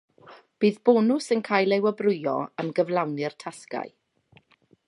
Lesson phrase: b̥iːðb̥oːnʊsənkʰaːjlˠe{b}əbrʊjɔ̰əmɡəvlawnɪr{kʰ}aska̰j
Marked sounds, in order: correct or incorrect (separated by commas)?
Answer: incorrect, incorrect